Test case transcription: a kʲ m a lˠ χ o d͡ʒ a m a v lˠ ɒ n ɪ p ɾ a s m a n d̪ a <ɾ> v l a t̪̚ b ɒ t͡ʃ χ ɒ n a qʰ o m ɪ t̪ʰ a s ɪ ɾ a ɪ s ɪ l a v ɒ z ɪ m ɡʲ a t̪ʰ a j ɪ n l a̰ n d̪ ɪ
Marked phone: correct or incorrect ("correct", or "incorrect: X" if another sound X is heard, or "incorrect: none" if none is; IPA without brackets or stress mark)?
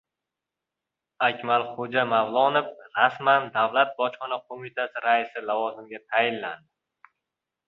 incorrect: none